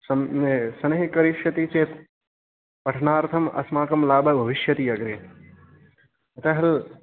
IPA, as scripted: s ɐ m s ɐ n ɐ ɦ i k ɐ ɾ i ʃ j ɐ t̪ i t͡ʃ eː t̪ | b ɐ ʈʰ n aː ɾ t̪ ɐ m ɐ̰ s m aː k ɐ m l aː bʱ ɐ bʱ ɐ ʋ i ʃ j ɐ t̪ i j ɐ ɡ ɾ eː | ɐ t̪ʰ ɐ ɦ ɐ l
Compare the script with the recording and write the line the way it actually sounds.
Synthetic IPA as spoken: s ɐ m s ɐ n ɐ ɦ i k ɐ ɾ i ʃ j ɐ t̪ i t͡ʃ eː t̪ | p ɐ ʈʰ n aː ɾ t̪ʰ ɐ m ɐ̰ s m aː k ɐ m l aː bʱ ɐ bʱ ɐ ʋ i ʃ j ɐ t̪ i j ɐ ɡ ɾ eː | ɐ t̪ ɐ ɦ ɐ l

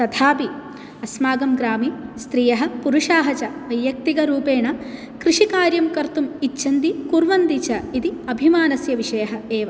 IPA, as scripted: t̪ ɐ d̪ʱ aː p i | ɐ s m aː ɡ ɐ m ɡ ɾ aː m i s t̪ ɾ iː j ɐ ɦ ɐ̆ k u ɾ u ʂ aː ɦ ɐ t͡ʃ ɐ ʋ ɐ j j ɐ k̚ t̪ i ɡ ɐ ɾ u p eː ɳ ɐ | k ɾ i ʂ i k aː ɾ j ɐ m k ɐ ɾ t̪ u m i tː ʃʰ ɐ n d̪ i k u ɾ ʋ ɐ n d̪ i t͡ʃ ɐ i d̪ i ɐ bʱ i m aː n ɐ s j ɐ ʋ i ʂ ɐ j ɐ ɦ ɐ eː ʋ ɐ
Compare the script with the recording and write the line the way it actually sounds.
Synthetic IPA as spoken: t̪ ɐ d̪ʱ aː p i | ɐ s m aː ɡ ɐ m ɡ ɾ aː m i s t̪ ɾ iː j ɐ ɦ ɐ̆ p u ɾ u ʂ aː ɦ ɐ t͡ʃ ɐ ʋ ɐ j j ɐ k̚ t̪ i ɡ ɐ ɾ uː p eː ɳ ɐ | k ɾ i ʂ i k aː ɾ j ɐ m k ɐ ɾ t̪ u m i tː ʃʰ ɐ n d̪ i k u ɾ ʋ ɐ n d̪ i t͡ʃ ɐ i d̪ i ɐ bʱ i m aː n ɐ s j ɐ ʋ i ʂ ɐ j ɐ ɦ ɐ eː ʋ ɐ

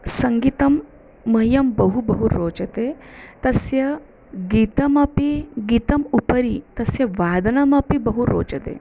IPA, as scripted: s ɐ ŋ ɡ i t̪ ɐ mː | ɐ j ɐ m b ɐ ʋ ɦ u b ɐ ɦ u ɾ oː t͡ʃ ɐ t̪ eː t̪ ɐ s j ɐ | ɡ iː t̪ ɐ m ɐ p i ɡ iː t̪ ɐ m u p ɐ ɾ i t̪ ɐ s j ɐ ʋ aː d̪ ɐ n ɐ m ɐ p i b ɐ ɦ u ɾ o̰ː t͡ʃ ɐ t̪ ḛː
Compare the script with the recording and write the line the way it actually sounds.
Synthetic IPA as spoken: s ɐ ŋ ɡ i t̪ ɐ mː | ɐ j ɐ m b ɐ ɦ u b ɐ ɦ u ɾ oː t͡ʃ ɐ t̪ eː t̪ ɐ s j ɐ | ɡ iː t̪ ɐ m ɐ p i ɡ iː t̪ ɐ m u p ɐ ɾ i t̪ ɐ s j ɐ ʋ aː d̪ ɐ n ɐ m ɐ p i b ɐ ɦ u ɾ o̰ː t͡ʃ ɐ t̪ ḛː

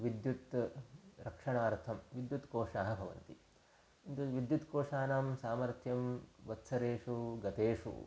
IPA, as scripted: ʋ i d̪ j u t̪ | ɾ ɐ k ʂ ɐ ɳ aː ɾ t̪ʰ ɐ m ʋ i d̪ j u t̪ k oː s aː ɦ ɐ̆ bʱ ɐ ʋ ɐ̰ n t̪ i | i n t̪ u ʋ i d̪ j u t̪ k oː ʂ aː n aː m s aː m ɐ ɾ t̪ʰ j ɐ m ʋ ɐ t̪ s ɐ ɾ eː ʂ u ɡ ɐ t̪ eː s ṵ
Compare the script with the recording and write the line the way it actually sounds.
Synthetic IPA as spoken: ʋ i d̪ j u t̪ | ɾ ɐ k ʂ ɐ ɳ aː ɾ t̪ʰ ɐ m ʋ i d̪ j u t̪ k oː ʂ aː ɦ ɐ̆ bʱ ɐ ʋ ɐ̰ n t̪ i | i n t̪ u ʋ i d̪ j u t̪ k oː ʂ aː n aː m s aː m ɐ ɾ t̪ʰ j ɐ m ʋ ɐ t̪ s ɐ ɾ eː ʂ u ɡ ɐ t̪ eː ʂ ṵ

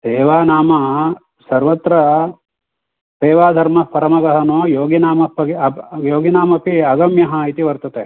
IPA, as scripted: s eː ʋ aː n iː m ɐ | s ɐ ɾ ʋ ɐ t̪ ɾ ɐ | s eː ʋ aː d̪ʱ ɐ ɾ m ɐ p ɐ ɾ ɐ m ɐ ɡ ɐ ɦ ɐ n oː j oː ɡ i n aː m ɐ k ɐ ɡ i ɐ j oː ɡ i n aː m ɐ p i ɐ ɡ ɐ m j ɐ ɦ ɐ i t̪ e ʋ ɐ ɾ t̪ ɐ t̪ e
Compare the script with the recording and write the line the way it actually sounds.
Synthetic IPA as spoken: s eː ʋ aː n aː m ɐ | s ɐ ɾ ʋ ɐ t̪ ɾ ɐ | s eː ʋ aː d̪ʱ ɐ ɾ m ɐ p ɐ ɾ ɐ m ɐ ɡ ɐ ɦ ɐ n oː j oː ɡ i n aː m ɐ p ɐ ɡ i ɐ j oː ɡ i n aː m ɐ p i ɐ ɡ ɐ m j ɐ ɦ ɐ i t̪ i ʋ ɐ ɾ t̪ ɐ t̪ e

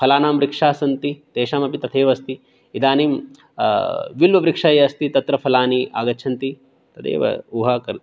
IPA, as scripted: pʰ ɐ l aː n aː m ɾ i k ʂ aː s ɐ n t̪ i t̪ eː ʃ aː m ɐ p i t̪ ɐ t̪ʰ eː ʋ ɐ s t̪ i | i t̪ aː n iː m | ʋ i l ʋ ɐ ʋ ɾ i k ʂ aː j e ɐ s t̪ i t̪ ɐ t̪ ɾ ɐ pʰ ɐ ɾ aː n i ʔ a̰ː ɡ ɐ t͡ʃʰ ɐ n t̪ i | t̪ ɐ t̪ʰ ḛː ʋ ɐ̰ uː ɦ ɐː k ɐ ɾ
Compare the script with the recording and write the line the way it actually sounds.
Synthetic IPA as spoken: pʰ ɐ l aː n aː m ɾ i k ʂ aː s ɐ n t̪ i t̪ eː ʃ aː m ɐ p i t̪ ɐ t̪ʰ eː ʋ ɐ s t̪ i | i d̪ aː n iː m | ʋ i l ʋ ɐ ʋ ɾ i k ʂ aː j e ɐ s t̪ i t̪ ɐ t̪ ɾ ɐ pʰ ɐ l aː n i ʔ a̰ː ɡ ɐ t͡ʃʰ ɐ n t̪ i | t̪ ɐ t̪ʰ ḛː ʋ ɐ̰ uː ɦ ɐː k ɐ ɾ

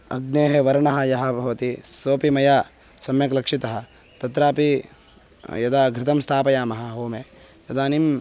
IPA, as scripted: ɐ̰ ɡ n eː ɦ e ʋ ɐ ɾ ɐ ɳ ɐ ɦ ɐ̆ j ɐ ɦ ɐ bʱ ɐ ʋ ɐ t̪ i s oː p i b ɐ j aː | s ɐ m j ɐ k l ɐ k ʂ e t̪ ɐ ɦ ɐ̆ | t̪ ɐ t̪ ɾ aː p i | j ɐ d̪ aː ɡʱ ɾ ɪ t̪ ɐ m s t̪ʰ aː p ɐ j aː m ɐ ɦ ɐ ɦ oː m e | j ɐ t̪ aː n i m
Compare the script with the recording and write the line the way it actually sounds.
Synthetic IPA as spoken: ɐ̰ ɡ n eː ɦ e ʋ ɐ ɾ ɐ ɳ ɐ ɦ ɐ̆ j ɐ ɦ ɐ bʱ ɐ ʋ ɐ t̪ i s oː p i m ɐ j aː | s ɐ m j ɐ k l ɐ k ʂ i t̪ ɐ ɦ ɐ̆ | t̪ ɐ t̪ ɾ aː p i | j ɐ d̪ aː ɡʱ ɾ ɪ t̪ ɐ m s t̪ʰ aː p ɐ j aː m ɐ ɦ ɐ ɦ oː m e | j ɐ d̪ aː n i m

